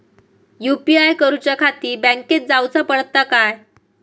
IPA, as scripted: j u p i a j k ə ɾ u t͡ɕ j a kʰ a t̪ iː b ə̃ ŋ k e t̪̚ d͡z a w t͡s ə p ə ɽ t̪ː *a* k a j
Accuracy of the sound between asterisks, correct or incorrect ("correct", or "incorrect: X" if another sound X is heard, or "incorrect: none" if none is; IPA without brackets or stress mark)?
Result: correct